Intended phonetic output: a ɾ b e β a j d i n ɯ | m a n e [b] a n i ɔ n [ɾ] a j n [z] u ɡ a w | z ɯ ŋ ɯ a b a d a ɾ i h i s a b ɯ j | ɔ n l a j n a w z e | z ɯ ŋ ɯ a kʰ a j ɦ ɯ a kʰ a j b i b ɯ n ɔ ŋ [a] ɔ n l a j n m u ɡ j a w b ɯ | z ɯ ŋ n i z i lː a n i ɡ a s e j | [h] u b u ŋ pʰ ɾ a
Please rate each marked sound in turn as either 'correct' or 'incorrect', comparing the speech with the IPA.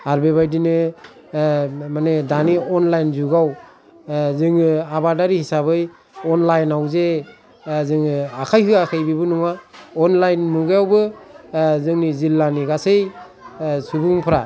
incorrect, incorrect, correct, correct, incorrect

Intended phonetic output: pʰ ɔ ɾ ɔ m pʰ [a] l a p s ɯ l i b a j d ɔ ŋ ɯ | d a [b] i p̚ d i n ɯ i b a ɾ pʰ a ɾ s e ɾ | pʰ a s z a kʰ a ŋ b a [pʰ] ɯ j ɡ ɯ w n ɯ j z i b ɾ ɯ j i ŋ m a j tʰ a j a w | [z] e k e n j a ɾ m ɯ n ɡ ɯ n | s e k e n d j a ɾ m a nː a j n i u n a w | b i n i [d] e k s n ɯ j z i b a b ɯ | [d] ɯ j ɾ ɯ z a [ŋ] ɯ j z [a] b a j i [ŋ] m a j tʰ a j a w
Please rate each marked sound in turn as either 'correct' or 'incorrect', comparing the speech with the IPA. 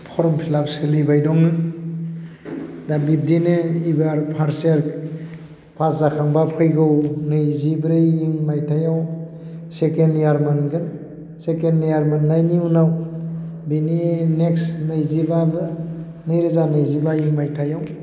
incorrect, correct, correct, incorrect, incorrect, incorrect, incorrect, incorrect, correct

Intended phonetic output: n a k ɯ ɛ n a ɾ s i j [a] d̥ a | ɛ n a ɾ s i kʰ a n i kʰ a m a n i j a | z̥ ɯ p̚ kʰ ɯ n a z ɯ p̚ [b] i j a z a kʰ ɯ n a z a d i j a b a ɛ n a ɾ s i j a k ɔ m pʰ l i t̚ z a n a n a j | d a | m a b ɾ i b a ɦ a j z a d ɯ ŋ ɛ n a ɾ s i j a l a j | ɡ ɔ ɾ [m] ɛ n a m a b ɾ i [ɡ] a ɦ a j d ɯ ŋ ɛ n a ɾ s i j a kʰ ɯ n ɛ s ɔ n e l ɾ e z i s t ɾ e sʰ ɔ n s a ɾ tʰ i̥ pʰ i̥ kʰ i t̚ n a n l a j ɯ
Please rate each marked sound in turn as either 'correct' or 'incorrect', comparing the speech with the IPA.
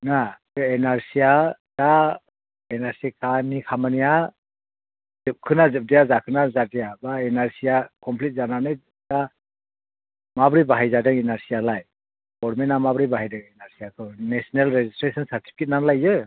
correct, incorrect, correct, incorrect

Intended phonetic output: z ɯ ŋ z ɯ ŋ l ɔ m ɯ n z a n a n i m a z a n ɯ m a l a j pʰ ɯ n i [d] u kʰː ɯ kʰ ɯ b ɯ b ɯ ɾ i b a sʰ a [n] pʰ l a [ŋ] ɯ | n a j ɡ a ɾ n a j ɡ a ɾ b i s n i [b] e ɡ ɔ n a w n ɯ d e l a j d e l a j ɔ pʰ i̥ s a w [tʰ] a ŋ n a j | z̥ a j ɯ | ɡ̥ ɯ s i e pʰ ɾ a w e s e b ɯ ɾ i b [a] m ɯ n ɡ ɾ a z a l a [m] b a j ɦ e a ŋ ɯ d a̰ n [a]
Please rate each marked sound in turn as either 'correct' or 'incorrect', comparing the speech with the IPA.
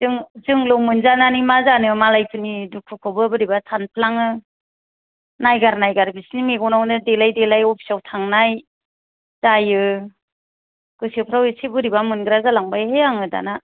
correct, correct, correct, incorrect, correct, correct, incorrect, correct

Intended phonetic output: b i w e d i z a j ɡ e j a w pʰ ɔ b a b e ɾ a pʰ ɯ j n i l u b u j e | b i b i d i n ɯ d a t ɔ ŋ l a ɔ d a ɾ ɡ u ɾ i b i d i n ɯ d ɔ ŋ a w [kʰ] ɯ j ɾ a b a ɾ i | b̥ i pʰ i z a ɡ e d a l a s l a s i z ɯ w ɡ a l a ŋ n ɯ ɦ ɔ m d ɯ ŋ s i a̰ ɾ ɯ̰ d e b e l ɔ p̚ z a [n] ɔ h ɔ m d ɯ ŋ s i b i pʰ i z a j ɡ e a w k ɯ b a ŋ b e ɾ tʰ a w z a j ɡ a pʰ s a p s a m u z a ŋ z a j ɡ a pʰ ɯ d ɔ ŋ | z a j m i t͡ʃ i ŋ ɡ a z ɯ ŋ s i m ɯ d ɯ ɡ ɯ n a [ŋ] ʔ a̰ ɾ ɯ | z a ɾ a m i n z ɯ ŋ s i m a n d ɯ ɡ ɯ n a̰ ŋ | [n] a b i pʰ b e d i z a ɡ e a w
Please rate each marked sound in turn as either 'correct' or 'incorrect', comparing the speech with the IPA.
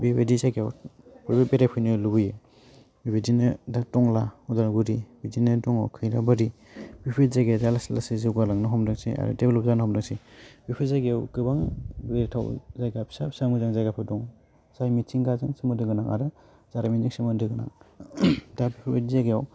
correct, correct, correct, incorrect

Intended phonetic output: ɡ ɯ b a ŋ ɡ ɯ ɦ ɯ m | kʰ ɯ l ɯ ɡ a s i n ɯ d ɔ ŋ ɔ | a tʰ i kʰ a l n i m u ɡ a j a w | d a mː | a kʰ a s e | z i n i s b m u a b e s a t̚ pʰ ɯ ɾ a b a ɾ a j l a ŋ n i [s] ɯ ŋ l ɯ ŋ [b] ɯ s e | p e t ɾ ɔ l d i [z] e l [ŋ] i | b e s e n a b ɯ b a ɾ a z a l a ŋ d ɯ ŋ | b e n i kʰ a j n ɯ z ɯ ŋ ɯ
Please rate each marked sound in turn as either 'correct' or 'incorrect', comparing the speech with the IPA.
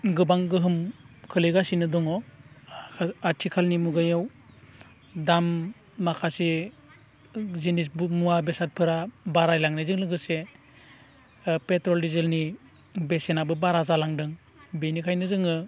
incorrect, incorrect, correct, incorrect

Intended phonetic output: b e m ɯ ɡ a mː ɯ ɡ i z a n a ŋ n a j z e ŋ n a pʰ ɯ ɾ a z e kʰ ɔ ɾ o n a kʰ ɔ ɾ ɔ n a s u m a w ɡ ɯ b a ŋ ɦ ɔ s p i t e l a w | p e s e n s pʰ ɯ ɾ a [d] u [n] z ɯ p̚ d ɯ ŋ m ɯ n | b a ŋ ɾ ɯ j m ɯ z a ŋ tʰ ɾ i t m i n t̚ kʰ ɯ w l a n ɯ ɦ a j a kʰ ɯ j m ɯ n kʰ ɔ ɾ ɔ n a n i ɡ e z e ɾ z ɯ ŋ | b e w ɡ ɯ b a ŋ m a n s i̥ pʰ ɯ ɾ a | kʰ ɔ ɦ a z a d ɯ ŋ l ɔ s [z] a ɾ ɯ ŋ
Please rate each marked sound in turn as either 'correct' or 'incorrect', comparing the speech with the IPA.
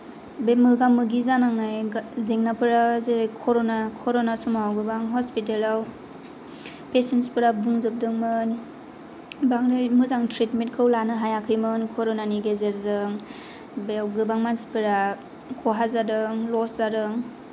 incorrect, incorrect, correct

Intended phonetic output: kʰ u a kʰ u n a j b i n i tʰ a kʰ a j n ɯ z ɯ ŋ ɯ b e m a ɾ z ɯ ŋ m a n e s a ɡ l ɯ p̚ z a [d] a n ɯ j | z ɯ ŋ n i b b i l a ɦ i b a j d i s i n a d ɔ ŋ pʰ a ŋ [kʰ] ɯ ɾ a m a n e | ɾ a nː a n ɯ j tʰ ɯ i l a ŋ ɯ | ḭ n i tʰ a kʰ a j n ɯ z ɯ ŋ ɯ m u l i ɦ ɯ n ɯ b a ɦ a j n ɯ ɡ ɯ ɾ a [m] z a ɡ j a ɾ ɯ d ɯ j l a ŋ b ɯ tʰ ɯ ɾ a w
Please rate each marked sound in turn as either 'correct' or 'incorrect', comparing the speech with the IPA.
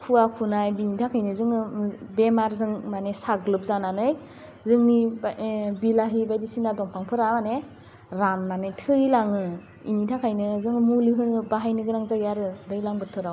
incorrect, incorrect, incorrect

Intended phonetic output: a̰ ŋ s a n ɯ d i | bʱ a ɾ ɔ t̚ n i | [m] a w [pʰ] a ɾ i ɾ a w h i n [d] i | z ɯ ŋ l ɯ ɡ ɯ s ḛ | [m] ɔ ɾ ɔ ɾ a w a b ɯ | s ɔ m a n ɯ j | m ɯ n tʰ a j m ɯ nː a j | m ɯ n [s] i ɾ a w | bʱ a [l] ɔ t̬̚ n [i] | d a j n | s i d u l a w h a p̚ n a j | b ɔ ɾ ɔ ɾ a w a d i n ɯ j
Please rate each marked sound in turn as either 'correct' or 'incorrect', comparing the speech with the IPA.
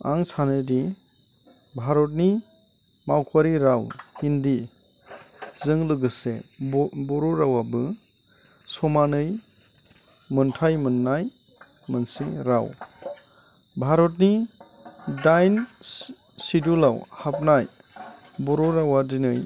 correct, incorrect, correct, incorrect, correct, incorrect, correct

